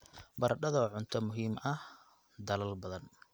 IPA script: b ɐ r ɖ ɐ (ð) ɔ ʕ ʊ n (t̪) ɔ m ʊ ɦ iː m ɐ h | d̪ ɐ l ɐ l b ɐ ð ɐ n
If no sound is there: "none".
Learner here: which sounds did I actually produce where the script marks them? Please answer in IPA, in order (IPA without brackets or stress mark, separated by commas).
ð, t̪ʰ